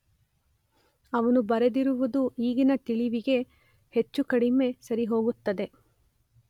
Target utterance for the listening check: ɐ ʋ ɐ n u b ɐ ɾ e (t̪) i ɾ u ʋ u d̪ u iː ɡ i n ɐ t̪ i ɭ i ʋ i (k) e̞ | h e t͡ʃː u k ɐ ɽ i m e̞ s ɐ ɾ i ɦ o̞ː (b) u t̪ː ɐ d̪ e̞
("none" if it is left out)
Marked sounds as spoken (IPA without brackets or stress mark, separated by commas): d̪, ɡ, ɡ